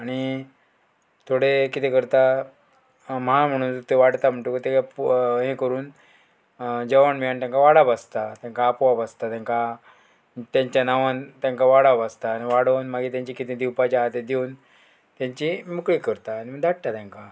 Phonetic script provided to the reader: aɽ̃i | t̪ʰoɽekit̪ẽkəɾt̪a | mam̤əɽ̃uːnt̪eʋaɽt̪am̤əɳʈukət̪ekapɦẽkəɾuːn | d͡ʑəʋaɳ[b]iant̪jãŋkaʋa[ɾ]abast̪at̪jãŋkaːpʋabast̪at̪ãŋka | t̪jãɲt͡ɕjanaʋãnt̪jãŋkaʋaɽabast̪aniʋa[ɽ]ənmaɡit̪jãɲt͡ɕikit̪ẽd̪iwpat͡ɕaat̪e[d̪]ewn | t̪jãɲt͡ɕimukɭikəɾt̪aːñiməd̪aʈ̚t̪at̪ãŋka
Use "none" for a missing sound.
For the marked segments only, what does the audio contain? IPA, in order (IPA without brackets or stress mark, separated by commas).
m, ɽ, ɽ, d̪